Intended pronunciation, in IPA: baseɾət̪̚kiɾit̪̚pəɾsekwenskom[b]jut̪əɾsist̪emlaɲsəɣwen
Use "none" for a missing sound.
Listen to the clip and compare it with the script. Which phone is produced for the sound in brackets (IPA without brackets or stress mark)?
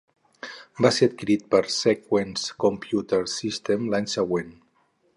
p